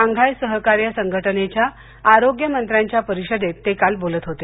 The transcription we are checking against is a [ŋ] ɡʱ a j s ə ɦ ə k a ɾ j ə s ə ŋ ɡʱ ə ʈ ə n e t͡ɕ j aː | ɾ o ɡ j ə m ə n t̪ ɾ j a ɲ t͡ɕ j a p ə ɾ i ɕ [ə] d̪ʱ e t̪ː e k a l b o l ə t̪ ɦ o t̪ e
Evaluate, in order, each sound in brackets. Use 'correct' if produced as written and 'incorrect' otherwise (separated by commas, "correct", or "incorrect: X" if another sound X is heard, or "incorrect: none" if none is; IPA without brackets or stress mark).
correct, correct